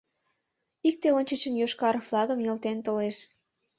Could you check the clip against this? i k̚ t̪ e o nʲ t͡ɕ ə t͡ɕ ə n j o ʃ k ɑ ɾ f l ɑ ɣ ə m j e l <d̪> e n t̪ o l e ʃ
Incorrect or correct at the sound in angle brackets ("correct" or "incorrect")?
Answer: incorrect